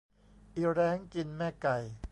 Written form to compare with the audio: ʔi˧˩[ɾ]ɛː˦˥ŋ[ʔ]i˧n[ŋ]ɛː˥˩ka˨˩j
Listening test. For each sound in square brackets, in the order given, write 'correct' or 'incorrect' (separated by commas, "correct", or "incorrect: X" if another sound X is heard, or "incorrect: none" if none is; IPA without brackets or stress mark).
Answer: correct, incorrect: k, incorrect: m